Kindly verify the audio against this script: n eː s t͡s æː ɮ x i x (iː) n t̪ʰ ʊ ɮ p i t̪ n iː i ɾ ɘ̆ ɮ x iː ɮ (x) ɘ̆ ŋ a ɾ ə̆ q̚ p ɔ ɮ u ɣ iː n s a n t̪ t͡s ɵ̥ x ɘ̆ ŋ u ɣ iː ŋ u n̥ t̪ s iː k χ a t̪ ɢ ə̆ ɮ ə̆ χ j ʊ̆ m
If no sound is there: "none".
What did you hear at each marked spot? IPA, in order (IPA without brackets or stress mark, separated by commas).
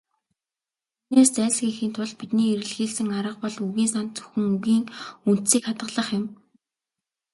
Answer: iː, s